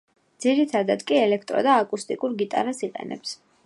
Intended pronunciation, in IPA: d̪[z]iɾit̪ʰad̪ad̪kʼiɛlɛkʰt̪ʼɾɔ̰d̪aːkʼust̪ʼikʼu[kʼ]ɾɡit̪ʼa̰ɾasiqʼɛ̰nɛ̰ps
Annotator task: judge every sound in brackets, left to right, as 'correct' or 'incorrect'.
correct, incorrect: none

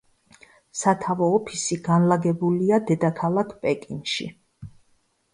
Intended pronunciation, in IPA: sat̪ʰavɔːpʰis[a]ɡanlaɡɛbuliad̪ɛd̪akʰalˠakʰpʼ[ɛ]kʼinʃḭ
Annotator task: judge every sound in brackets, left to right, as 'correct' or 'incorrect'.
incorrect: i, correct

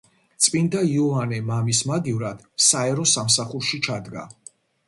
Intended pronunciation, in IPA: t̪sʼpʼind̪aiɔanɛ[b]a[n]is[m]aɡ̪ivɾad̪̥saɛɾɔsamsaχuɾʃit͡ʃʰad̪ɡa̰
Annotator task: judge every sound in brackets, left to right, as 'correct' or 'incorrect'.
incorrect: m, incorrect: m, correct

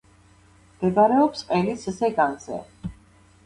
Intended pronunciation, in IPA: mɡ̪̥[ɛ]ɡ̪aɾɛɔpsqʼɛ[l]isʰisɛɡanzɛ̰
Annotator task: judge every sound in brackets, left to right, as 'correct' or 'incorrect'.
correct, correct

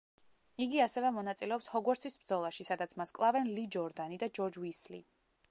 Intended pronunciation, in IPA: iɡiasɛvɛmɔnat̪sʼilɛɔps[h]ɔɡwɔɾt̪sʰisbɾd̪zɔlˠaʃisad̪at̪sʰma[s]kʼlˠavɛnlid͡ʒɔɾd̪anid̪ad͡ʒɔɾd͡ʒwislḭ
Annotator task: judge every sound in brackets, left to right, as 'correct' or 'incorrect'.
correct, correct

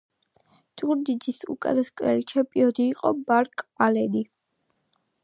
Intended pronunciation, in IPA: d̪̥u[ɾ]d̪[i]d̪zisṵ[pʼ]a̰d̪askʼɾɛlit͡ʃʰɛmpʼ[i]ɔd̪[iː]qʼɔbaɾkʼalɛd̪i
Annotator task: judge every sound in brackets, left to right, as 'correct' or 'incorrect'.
correct, correct, incorrect: kʼ, correct, correct

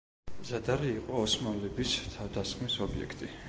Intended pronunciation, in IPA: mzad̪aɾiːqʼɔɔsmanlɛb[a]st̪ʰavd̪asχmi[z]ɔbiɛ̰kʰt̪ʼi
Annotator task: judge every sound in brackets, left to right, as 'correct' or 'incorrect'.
incorrect: i, incorrect: s

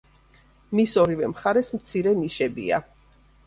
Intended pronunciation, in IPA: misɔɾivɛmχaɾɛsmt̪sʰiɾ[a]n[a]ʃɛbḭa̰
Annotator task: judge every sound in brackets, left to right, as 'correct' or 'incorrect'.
incorrect: ɛ, incorrect: i

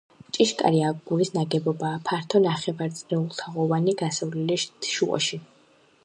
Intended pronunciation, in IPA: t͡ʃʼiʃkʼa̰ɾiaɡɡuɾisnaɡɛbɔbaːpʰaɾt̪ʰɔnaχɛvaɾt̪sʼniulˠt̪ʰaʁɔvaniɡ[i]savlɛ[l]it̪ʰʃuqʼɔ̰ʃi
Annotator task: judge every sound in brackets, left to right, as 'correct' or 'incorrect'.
incorrect: a, correct

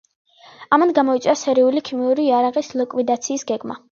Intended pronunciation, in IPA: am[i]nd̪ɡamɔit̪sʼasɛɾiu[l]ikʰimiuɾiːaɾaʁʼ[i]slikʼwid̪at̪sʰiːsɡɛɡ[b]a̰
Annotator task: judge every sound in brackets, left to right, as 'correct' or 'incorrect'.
incorrect: a, correct, correct, incorrect: m

